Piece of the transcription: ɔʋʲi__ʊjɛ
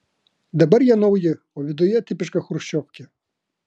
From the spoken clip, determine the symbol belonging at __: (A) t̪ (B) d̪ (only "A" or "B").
B